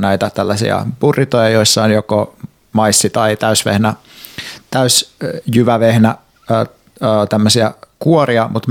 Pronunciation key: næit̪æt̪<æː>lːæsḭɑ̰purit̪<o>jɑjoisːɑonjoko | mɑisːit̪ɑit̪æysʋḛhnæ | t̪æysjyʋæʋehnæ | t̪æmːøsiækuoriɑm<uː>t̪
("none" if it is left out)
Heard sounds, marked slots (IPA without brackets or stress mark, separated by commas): æ, o, u